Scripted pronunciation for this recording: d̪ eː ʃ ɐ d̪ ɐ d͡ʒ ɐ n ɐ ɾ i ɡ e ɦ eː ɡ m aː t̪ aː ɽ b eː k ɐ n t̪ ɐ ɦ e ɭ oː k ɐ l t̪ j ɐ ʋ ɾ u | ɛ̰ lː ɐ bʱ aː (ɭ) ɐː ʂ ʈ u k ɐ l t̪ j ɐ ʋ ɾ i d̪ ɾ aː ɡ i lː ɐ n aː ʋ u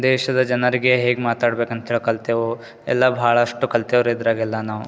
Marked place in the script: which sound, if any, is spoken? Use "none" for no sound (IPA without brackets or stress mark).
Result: ɭ